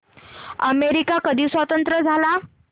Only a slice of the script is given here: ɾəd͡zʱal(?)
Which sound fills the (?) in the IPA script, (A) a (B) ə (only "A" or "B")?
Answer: A